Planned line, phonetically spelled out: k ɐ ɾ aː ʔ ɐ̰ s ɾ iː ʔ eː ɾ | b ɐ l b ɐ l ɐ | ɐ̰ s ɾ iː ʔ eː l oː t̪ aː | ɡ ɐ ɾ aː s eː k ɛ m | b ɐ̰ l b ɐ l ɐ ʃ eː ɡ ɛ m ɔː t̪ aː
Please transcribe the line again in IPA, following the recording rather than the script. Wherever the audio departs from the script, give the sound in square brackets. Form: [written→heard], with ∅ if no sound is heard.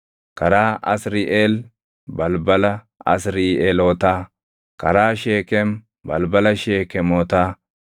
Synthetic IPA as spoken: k ɐ ɾ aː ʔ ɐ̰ s ɾ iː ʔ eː [ɾ→l] | b ɐ l b ɐ l ɐ | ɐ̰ s ɾ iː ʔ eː l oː t̪ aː | [ɡ→k] ɐ ɾ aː [s→ʃ] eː k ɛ m | b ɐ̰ l b ɐ l ɐ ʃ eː [ɡ→k] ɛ m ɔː t̪ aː